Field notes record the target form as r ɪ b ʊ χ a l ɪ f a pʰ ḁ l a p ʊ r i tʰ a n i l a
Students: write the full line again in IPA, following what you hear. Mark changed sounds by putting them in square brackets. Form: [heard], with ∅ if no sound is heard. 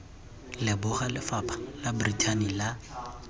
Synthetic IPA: [l] ɪ b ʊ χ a l ɪ f a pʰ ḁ l a [b] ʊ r i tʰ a n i l a